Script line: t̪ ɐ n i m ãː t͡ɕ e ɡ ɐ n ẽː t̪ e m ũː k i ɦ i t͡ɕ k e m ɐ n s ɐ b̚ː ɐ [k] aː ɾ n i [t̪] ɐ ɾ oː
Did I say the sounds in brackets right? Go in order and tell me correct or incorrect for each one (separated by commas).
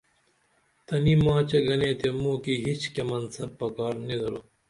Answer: correct, incorrect